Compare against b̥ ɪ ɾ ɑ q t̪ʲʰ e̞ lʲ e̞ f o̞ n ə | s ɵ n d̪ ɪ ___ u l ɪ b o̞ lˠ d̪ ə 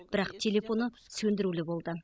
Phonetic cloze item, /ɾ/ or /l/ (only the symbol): ɾ